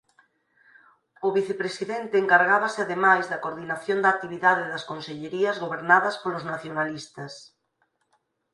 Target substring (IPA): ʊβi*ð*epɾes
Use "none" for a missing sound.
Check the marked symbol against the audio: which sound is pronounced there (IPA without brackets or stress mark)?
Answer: θ